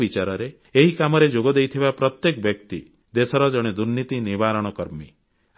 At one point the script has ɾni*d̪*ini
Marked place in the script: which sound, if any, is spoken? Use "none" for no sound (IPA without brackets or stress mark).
t̪